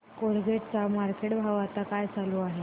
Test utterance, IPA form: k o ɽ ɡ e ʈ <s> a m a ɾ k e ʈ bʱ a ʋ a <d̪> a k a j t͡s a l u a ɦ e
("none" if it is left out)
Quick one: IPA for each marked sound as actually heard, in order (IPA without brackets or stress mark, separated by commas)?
t͡s, t̪